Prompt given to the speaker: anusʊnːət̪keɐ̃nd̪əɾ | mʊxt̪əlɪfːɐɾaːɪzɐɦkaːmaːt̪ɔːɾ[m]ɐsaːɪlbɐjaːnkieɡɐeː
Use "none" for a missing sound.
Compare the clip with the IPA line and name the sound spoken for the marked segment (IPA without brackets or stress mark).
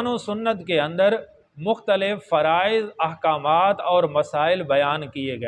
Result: m